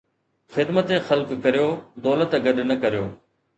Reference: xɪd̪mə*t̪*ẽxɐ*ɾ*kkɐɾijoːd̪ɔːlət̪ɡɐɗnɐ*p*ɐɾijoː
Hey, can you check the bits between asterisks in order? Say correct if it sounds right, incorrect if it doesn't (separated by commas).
correct, incorrect, incorrect